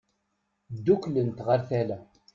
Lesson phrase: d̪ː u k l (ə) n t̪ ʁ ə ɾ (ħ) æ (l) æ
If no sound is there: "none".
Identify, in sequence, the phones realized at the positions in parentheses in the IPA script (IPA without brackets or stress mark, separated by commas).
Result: ə, θ, l